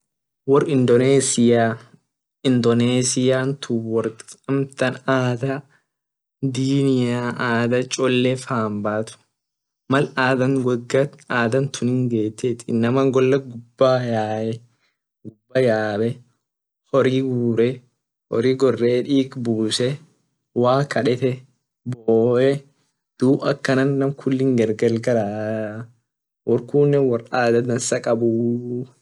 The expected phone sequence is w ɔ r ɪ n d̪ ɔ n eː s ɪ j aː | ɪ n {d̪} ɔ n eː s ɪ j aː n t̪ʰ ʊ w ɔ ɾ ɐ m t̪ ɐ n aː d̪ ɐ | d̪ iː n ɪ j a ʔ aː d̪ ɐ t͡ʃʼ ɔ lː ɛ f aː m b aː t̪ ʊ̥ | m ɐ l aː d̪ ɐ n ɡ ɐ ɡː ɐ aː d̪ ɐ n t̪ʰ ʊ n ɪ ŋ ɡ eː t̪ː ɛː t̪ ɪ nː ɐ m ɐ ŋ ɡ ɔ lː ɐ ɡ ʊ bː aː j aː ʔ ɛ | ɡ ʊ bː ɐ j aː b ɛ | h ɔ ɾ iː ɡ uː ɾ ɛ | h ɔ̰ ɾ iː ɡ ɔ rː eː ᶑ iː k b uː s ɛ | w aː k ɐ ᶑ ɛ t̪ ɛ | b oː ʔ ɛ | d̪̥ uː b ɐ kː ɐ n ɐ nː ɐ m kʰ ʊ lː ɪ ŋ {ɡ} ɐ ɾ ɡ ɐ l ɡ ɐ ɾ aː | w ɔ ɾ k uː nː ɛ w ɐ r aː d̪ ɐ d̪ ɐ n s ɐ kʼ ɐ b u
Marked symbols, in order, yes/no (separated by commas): yes, yes